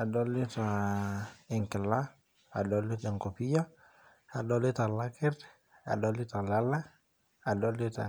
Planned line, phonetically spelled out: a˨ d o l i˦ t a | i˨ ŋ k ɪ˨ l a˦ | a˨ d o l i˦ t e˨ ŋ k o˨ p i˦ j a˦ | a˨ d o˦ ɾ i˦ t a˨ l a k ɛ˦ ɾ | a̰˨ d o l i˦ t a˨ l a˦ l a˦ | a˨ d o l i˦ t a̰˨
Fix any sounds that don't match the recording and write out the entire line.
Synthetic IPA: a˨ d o l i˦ t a | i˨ ŋ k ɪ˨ l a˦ | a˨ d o l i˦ t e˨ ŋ k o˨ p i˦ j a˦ | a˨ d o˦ l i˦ t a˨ l a k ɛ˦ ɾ | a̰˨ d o l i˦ t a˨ l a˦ l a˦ | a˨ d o l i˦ t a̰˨